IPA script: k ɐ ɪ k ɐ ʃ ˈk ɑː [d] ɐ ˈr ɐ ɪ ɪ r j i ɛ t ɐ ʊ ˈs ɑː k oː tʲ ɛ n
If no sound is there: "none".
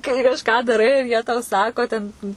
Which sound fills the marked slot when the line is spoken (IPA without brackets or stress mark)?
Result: d